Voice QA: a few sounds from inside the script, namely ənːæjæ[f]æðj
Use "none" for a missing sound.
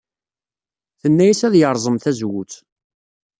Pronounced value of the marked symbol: s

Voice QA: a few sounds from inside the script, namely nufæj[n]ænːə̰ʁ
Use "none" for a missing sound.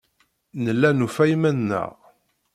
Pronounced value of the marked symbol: m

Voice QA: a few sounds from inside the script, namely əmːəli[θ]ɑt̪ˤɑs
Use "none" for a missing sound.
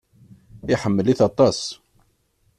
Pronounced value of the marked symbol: θ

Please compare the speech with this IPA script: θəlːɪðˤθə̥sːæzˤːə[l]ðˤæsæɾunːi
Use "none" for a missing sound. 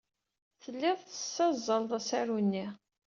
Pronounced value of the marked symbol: l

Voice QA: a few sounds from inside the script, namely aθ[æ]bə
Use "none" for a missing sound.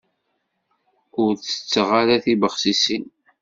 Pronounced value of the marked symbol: i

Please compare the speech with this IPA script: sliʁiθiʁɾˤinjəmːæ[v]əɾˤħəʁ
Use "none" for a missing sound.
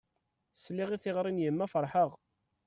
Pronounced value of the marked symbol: f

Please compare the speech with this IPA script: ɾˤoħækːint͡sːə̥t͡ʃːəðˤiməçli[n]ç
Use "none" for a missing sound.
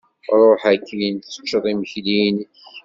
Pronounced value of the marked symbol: n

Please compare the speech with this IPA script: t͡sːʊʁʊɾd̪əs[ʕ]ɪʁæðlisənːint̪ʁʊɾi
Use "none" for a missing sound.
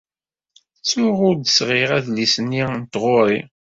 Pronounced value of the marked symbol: ʁ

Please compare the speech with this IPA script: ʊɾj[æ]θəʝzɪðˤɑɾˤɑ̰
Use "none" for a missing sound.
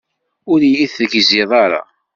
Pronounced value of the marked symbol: i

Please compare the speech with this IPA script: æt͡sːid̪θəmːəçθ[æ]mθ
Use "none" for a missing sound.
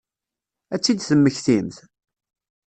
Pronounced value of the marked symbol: i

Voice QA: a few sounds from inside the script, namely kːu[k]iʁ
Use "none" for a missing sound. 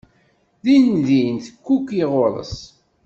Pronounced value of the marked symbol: k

